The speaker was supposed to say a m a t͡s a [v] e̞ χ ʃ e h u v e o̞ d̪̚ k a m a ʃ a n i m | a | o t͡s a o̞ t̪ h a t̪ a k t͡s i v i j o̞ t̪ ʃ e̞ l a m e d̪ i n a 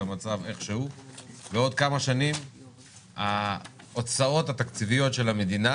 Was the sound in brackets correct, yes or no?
yes